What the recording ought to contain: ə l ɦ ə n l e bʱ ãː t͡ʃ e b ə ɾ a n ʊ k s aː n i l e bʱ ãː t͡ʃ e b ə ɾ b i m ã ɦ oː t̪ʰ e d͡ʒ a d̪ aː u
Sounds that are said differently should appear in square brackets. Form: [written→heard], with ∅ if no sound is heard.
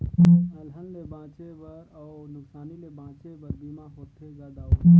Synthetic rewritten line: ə l ɦ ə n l e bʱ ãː t͡ʃ e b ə ɾ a n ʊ k s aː n i l e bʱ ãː t͡ʃ e b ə ɾ b i m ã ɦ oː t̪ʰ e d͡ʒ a d̪ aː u